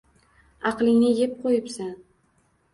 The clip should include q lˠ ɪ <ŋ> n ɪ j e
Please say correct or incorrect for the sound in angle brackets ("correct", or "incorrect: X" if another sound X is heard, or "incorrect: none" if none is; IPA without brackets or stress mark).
correct